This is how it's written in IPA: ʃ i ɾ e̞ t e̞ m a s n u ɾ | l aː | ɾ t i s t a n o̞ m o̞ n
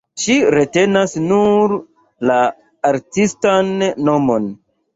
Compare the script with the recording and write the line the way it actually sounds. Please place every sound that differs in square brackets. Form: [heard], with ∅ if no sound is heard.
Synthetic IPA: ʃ i ɾ e̞ t e̞ [n] a s n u ɾ | l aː | ɾ t i s t a [nː] o̞ m o̞ n